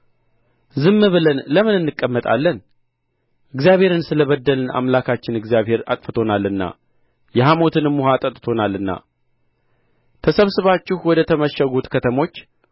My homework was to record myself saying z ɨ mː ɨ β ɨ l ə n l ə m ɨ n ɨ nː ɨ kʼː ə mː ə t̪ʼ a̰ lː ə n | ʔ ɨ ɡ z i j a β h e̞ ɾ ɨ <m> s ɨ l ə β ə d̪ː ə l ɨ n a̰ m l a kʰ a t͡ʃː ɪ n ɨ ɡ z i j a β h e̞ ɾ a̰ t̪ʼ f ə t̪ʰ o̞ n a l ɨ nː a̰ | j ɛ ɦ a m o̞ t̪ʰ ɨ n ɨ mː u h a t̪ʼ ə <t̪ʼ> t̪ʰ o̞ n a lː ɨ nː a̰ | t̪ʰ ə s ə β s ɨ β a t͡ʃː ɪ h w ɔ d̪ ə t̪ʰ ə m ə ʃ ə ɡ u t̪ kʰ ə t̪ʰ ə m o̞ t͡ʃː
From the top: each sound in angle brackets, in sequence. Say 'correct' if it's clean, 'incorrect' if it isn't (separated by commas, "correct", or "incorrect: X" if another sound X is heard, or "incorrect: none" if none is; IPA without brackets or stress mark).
incorrect: n, correct